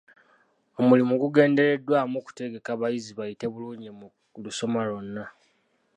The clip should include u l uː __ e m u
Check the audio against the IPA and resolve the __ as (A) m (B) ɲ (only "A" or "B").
B